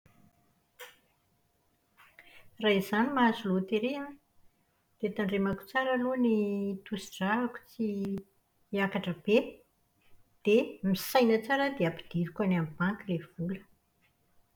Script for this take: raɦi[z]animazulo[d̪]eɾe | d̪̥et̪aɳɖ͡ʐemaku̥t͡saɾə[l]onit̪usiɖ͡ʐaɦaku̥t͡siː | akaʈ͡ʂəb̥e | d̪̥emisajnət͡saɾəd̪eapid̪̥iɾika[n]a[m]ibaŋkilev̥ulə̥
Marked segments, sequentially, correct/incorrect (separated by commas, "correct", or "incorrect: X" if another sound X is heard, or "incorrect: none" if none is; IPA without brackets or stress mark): correct, incorrect: t̪, correct, correct, correct